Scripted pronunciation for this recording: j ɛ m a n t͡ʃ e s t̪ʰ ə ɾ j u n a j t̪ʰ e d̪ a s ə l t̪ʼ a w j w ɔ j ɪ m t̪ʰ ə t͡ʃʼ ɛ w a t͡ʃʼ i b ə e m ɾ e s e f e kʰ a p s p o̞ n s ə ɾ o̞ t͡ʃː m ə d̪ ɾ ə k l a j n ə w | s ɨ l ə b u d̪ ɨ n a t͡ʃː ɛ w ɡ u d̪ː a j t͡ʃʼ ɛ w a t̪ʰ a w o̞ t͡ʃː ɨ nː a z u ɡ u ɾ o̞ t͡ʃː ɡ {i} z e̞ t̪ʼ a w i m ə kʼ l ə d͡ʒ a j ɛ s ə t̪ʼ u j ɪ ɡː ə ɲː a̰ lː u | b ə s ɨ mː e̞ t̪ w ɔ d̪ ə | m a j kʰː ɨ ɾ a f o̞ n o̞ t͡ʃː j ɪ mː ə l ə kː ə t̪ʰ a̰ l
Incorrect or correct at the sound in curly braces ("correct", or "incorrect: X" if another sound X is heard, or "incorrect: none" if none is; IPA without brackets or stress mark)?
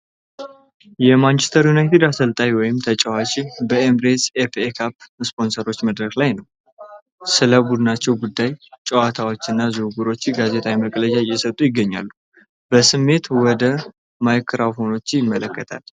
incorrect: a